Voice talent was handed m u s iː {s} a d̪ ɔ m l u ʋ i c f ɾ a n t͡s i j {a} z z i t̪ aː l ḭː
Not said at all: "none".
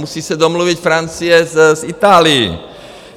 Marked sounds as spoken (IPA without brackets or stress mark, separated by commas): s, ɛ